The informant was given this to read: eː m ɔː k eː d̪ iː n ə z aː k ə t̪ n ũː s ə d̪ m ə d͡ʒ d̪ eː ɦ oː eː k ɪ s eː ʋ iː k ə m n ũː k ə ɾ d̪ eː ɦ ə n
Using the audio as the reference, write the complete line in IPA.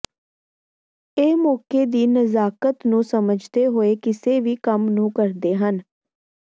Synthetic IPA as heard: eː m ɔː k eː d̪ iː n ə z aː k ə t̪ n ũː s ə m ə d͡ʒ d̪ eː ɦ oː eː k ɪ s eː ʋ iː k ə m n ũː k ə ɾ d̪ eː ɦ ə n